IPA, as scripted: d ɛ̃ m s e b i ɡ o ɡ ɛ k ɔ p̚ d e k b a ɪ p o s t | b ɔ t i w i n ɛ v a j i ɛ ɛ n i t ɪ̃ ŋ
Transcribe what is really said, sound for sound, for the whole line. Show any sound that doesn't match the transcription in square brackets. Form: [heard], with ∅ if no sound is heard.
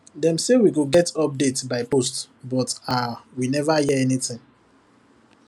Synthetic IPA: d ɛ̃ m s e [w] i ɡ o ɡ ɛ [t] ɔ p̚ d e [t] b a ɪ p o s t | b ɔ t [a] w i n ɛ v a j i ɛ ɛ n i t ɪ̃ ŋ